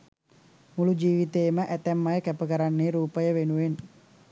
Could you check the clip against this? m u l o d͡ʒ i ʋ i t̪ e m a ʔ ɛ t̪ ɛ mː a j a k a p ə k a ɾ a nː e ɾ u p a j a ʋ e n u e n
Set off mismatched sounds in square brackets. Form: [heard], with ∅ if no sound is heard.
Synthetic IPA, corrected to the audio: m u l [u] d͡ʒ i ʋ i t̪ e m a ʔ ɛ t̪ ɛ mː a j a k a p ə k a ɾ a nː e ɾ u p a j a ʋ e n u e n